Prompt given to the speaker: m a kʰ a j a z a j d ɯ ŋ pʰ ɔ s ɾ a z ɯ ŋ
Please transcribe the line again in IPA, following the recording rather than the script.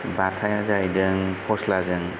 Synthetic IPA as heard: b a tʰ a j a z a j d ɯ ŋ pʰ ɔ s l a z ɯ ŋ

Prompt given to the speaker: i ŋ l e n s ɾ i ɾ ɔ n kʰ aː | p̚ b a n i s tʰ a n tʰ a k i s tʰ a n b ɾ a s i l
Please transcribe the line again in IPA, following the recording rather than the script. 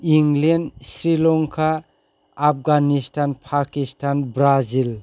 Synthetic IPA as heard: i ŋ l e n s ɾ i l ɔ ŋ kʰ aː | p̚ ɡ a n i s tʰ a n pʰ a k i s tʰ a n b ɾ a z i l

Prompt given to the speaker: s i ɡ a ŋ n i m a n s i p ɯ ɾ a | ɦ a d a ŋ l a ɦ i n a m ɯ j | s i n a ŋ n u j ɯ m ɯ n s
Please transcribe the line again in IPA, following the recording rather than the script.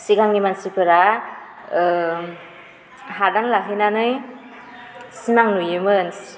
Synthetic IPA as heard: s i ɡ a ŋ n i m a n s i p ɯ ɾ a | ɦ a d a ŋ l a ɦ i n a n ɯ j | s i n a ŋ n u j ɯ m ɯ n s

